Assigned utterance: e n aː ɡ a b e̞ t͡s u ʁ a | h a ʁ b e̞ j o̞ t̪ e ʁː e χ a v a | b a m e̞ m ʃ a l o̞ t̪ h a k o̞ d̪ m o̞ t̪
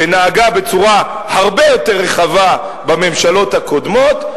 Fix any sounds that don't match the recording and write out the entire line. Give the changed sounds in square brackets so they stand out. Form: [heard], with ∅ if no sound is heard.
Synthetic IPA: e n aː ɡ a b e̞ t͡s u ʁ a | h a ʁ b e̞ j o̞ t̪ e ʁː e χ a v a | b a m e̞ m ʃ a l o̞ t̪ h a k o̞ d̪ m o̞ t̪